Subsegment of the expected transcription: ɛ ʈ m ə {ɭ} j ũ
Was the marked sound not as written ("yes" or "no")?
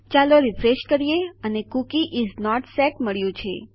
no